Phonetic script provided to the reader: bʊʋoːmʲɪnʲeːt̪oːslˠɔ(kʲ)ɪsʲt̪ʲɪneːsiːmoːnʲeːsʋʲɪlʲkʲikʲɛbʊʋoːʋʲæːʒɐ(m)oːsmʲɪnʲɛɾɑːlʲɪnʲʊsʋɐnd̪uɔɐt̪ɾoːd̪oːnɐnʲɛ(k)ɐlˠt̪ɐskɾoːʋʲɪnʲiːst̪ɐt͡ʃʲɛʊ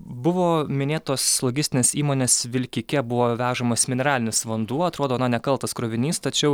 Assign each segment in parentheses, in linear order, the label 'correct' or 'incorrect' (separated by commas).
incorrect, correct, correct